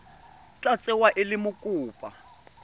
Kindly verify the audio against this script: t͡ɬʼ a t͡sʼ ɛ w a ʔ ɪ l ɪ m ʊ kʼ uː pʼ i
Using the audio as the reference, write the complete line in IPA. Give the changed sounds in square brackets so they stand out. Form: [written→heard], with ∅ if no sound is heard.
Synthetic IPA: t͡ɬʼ a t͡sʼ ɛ w a ʔ ɪ l ɪ m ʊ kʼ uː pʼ [i→a]